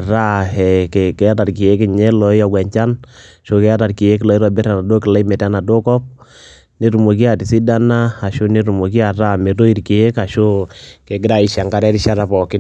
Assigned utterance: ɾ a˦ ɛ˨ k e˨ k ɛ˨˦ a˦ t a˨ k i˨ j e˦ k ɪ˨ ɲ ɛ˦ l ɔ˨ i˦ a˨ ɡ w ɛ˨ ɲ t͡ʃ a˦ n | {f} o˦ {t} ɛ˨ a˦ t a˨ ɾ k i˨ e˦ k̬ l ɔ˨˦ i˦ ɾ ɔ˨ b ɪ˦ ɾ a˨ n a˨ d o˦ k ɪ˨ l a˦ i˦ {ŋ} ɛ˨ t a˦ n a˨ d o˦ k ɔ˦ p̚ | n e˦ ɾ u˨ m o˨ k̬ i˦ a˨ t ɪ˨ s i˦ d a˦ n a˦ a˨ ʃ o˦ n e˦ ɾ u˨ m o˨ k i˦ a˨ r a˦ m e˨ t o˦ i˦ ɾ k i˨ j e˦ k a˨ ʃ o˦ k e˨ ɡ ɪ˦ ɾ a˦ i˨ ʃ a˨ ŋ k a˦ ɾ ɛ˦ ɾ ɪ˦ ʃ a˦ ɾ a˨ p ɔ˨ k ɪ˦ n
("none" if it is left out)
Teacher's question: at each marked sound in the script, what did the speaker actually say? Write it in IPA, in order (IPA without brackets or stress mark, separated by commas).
ʃ, k, m